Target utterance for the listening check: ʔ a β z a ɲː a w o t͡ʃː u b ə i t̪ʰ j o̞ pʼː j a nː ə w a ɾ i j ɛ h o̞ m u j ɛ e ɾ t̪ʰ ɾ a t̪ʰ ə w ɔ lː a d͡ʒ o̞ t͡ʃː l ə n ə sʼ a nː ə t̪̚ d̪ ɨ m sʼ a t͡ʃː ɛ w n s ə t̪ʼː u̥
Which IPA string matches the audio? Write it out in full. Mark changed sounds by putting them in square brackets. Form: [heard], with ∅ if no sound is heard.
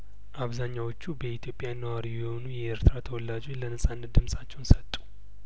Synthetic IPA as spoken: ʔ a β z a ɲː a w o t͡ʃː u b ə i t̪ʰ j o̞ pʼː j a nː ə w a ɾ i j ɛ h o̞ [n] u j ɛ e ɾ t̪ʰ ɾ a t̪ʰ ə w ɔ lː a d͡ʒ o̞ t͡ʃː l ə n ə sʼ a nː ə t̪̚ d̪ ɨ m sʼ a t͡ʃː ɛ w n s ə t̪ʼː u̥